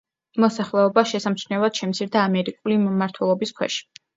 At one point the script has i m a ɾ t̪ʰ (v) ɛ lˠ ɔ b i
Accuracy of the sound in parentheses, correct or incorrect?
incorrect